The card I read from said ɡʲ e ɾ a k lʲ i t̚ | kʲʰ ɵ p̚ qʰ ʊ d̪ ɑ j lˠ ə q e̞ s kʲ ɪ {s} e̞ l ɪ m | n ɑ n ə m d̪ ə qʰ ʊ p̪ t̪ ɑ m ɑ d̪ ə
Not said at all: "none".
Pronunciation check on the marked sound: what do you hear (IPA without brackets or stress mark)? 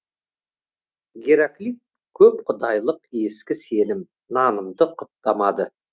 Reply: s